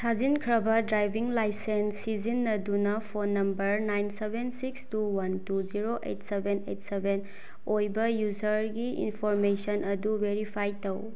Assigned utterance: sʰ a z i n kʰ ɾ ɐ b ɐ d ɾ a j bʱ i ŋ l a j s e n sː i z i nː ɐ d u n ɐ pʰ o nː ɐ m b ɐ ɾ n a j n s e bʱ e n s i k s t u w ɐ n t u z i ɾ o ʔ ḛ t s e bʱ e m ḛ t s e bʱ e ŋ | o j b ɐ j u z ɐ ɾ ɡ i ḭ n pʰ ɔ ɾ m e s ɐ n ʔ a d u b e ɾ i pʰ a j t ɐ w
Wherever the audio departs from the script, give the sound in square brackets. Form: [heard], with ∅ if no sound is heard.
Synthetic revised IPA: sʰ a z i n kʰ ɾ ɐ b ɐ d ɾ a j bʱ i ŋ l a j s e n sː i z i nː ɐ d u n ɐ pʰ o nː ɐ m b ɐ ɾ n a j n s e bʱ e n s i k s t u w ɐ n t u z i ɾ o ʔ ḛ t s e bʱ e [n] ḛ t s e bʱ e [n] | o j b ɐ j u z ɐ ɾ ɡ i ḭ n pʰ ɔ ɾ m e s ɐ n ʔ [ɐ] d u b e ɾ i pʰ a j t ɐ w